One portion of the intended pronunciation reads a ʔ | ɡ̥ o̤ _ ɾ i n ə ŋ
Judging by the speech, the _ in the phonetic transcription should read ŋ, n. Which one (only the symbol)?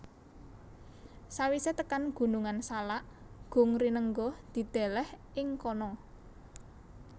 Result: ŋ